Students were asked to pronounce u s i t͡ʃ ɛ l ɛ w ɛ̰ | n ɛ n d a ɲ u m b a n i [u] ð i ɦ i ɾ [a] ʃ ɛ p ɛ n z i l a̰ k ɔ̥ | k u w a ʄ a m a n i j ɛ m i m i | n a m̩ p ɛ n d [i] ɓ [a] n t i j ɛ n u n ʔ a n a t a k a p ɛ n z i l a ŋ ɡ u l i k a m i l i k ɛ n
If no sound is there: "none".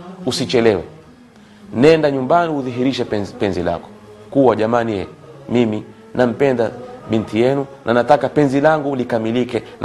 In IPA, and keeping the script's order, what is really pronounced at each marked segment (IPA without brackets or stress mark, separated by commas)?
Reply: u, i, a, i